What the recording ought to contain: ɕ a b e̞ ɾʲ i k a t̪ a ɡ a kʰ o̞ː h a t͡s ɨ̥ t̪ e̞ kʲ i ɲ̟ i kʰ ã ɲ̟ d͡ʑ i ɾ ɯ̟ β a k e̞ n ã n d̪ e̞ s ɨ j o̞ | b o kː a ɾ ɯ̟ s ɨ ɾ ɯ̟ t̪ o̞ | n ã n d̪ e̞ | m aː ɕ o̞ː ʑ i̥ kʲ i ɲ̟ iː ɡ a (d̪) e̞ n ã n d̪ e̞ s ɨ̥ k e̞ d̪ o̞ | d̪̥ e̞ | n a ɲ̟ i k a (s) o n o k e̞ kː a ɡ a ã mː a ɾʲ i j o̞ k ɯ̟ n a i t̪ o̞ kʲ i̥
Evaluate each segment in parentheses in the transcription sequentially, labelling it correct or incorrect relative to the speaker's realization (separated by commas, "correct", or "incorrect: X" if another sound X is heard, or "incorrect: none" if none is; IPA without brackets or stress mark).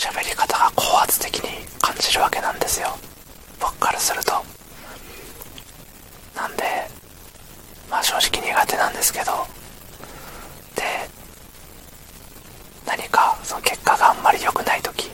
incorrect: t̪, correct